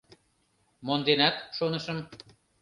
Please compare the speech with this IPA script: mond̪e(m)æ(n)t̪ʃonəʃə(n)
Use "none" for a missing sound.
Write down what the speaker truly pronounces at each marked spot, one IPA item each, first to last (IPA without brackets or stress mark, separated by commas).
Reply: n, none, m